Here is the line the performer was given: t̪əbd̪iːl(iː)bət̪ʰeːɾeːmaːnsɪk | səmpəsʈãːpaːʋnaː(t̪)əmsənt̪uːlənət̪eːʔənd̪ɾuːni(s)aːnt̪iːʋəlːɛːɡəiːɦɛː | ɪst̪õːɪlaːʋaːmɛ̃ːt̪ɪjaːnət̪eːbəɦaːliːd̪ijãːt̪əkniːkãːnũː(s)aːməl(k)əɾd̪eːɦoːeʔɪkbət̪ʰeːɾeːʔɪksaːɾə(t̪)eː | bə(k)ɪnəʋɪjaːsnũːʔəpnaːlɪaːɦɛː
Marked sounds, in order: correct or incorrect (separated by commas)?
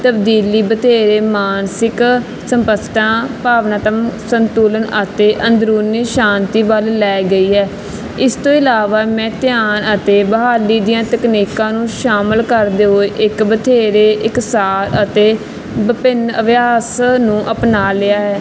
correct, correct, incorrect, incorrect, correct, correct, incorrect